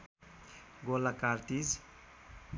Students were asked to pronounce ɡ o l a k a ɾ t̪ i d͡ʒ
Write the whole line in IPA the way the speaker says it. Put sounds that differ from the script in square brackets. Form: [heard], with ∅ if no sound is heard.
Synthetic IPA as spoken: ɡ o l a k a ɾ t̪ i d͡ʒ